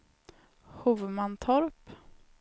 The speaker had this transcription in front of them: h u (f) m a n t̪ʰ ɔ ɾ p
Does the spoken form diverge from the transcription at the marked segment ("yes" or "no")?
yes